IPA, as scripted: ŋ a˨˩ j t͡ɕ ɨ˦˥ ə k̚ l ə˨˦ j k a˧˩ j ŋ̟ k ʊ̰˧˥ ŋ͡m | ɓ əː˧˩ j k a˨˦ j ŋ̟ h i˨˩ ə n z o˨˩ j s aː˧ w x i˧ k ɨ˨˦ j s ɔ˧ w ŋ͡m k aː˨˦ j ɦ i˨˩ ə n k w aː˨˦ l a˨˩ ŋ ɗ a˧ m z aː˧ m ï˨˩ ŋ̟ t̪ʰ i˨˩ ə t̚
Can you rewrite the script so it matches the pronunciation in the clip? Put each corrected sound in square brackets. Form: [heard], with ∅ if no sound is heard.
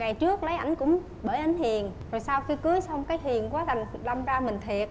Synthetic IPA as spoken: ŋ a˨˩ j t͡ɕ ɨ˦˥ ə k̚ l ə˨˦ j [ʔ] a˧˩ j ŋ̟ k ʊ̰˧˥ ŋ͡m | ɓ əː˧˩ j [ʔ] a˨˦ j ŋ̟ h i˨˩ ə n z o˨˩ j s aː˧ w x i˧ k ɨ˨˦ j s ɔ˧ w ŋ͡m k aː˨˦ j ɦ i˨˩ ə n k w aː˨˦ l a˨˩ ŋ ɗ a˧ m z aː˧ m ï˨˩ ŋ̟ t̪ʰ i˨˩ ə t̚